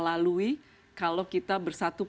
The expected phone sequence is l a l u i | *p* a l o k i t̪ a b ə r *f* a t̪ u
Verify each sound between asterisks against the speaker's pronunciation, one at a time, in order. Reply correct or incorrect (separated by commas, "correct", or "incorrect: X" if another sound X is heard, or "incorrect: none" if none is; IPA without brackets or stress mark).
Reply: incorrect: k, incorrect: s